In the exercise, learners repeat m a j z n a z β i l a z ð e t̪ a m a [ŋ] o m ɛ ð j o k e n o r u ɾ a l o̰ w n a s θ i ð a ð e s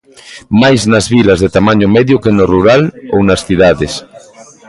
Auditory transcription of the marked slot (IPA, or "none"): ɲ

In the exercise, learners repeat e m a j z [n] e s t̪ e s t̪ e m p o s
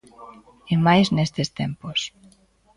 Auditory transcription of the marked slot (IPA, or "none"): n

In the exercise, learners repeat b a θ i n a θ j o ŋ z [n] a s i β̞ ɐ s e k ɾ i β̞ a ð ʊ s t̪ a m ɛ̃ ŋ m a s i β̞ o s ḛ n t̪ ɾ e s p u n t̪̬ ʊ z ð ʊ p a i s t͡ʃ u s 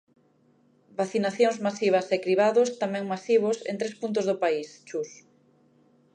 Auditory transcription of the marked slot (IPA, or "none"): m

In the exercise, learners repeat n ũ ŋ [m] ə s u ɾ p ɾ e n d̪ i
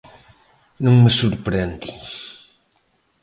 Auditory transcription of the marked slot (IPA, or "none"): m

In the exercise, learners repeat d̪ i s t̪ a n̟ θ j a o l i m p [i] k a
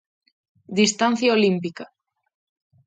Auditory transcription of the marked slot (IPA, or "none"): i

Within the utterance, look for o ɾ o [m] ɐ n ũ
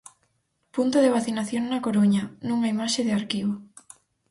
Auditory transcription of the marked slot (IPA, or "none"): ɲ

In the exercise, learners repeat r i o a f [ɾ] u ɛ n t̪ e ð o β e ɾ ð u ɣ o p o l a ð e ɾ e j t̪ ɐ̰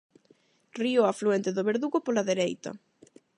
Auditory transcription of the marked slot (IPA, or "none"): l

